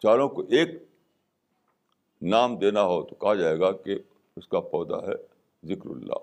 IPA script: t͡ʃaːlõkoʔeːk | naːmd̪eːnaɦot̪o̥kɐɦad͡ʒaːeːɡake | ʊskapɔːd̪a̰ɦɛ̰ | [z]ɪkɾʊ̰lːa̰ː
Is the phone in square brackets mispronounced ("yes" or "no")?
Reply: no